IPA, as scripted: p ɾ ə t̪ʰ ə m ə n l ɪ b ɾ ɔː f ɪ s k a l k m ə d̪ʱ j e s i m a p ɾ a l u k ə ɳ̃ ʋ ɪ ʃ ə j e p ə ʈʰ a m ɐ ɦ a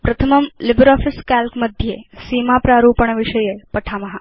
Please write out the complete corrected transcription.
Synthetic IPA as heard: p ɾ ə t̪ʰ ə m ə m l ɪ b ɾ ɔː f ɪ s k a l k m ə d̪ʱ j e s i m a p ɾ a ɾ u p ə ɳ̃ ʋ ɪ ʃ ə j e p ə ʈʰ a m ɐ ɦ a